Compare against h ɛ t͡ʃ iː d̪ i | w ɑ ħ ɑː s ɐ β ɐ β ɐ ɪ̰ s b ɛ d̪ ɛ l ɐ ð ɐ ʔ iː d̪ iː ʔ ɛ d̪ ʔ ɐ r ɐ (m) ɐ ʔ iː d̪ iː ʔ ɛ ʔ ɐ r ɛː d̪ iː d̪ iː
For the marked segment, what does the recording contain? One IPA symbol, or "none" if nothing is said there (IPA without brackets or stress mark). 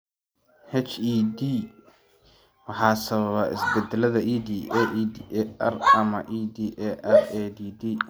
m